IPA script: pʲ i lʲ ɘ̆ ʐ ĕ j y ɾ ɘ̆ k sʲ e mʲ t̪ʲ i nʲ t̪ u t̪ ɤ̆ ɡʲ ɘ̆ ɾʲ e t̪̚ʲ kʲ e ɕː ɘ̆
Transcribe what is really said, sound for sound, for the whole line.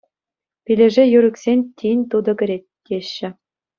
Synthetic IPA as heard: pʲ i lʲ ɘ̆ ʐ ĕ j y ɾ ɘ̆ k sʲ e nʲ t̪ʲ i nʲ t̪ u d̪ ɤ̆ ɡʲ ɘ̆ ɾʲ e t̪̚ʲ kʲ e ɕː ɘ̆